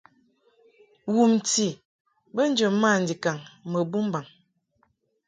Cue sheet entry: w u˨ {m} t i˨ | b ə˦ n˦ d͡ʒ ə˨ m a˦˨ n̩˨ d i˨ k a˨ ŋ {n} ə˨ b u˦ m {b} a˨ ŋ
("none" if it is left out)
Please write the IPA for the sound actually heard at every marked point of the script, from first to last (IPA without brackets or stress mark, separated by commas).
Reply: m, m, b